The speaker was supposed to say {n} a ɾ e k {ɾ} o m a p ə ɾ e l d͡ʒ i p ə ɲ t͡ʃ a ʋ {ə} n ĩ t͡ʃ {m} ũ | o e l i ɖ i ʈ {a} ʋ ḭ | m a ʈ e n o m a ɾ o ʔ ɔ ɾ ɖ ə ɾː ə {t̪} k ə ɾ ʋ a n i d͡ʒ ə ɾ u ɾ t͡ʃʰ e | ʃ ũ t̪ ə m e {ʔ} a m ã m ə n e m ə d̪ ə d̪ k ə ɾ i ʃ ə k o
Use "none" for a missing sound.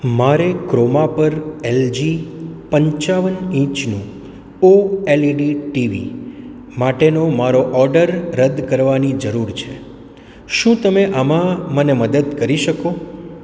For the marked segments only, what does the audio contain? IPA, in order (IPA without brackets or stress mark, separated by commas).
m, ɾ, ə, n, i, d̪, ʔ